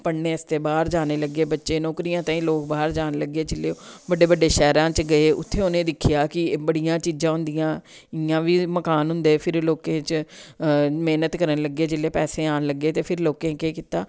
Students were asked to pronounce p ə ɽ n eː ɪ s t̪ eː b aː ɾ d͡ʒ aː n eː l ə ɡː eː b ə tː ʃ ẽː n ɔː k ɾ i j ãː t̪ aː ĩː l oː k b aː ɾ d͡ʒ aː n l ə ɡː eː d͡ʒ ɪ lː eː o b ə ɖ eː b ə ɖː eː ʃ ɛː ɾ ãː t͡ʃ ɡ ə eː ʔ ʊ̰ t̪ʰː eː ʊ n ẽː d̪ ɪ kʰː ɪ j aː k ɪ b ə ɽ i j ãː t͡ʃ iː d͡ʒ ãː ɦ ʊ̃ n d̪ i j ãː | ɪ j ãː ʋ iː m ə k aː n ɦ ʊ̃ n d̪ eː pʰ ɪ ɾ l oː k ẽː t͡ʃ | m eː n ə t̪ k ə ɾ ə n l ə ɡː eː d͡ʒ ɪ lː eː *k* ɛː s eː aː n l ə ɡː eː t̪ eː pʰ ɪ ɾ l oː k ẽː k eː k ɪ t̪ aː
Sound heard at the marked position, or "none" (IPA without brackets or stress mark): p